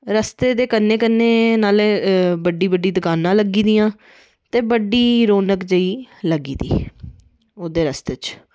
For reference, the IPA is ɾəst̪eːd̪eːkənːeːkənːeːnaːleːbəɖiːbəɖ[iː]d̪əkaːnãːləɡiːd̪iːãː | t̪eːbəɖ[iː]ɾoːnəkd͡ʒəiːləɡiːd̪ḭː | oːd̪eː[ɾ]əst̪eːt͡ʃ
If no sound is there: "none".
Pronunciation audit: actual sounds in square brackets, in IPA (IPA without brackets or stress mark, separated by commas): iː, iː, ɾ